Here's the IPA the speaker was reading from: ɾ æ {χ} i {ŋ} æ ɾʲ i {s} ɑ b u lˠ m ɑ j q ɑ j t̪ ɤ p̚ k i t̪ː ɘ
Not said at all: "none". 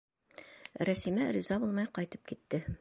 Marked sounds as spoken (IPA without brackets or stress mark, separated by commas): s, m, z